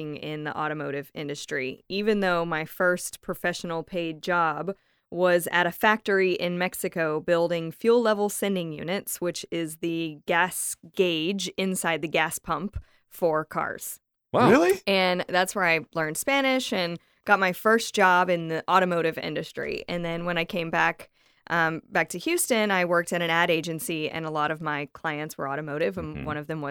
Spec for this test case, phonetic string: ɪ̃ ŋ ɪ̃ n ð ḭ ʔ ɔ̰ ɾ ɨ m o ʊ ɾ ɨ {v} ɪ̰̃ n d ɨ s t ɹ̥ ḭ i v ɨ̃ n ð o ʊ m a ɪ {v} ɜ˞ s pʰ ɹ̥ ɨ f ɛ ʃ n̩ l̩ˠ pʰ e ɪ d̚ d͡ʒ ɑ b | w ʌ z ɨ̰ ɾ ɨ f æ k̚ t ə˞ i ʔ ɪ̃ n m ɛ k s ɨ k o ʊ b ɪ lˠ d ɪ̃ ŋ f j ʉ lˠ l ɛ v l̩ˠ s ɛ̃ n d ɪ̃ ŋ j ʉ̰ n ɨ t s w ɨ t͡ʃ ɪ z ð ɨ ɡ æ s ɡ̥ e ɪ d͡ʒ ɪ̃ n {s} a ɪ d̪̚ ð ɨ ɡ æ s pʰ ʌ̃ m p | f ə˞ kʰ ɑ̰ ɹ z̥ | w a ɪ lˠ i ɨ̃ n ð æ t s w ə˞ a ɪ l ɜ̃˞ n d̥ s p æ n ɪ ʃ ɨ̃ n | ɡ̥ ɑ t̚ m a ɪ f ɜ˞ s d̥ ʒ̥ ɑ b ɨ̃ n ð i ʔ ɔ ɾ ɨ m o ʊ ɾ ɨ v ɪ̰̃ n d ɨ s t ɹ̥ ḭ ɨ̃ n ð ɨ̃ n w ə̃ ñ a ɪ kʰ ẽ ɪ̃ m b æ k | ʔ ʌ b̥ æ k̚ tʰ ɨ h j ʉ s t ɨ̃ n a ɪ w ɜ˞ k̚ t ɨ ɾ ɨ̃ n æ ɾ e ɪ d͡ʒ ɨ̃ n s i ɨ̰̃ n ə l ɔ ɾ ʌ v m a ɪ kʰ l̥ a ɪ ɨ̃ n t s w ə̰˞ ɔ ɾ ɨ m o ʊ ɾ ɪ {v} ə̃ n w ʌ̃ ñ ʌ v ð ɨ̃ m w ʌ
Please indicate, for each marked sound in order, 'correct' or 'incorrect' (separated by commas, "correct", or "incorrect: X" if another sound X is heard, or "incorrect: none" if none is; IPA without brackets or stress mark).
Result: correct, incorrect: f, correct, correct